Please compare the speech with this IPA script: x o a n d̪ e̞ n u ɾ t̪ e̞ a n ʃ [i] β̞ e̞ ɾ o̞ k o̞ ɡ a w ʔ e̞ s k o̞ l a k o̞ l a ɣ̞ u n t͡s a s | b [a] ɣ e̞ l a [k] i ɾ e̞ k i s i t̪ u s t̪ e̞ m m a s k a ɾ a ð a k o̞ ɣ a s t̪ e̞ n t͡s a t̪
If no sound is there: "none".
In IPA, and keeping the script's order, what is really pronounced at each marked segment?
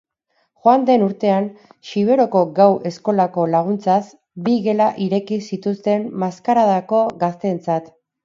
i, i, ʔ

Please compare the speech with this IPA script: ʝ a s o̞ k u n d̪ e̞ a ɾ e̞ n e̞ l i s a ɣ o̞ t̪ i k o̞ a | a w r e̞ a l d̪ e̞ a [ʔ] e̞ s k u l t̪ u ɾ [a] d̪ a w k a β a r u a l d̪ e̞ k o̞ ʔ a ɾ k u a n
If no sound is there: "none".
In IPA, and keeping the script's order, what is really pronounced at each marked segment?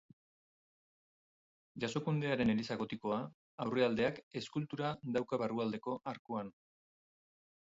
k, a

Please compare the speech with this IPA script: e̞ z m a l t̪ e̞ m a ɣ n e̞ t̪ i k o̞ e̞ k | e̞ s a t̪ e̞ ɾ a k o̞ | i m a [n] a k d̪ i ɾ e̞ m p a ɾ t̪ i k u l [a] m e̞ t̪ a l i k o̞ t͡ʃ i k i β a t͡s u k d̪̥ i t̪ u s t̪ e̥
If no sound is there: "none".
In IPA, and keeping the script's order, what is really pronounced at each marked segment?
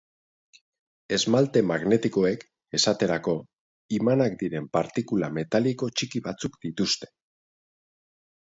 n, a

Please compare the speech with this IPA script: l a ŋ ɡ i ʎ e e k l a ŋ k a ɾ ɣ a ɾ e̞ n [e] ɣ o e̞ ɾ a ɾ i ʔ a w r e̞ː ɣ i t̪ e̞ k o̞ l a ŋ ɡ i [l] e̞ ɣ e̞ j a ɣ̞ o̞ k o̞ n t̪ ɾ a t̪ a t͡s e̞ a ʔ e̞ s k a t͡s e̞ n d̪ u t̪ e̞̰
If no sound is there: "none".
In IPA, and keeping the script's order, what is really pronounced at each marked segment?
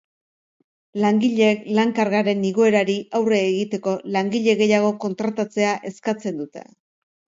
i, ʎ

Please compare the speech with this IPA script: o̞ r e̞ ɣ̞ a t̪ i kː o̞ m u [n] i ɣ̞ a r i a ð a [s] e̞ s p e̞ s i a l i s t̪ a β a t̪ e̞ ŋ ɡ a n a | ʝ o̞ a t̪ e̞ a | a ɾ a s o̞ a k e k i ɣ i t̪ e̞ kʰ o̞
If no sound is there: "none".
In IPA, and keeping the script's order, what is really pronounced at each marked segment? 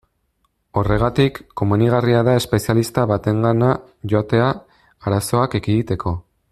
n, none

